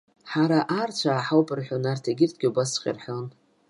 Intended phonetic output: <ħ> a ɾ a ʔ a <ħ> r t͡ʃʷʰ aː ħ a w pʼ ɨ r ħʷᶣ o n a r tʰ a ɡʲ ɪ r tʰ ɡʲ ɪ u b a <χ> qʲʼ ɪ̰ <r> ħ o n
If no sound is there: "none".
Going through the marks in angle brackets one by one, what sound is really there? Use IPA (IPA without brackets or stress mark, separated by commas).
ħ, none, s, r